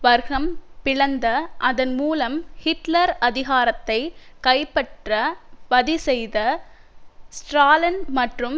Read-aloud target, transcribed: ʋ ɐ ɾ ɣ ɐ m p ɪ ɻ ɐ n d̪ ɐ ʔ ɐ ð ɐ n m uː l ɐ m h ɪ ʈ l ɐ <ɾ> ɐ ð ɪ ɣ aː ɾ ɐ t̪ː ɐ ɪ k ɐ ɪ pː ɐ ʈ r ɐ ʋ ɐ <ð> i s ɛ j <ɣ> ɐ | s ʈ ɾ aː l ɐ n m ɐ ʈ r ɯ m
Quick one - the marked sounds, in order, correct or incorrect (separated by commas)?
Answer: correct, correct, incorrect